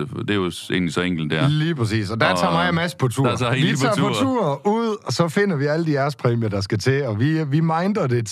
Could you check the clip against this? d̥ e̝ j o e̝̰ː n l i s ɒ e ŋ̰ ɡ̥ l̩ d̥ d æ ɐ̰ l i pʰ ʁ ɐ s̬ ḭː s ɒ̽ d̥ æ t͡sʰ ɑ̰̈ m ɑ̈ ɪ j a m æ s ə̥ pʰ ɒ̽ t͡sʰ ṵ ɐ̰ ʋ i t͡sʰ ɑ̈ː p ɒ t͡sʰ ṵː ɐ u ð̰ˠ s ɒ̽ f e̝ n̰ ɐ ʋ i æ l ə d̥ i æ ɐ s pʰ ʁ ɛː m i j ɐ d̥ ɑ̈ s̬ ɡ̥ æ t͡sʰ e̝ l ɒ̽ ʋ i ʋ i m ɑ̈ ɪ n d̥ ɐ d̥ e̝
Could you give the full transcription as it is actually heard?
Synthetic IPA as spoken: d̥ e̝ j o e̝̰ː n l i s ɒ e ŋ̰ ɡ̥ l̩ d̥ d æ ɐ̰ l iː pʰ ʁ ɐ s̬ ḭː s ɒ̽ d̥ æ t͡sʰ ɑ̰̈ m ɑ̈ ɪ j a m æ s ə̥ pʰ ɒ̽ t͡sʰ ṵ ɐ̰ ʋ i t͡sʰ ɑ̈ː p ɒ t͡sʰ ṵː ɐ u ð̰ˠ s ɒ̽ f e̝ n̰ ɐ ʋ i æ l ə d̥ i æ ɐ s pʰ ʁ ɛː m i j ɐ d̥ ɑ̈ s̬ ɡ̥ æ t͡sʰ e̝ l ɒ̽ ʋ i ʋ i m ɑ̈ ɪ n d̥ ɐ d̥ e̝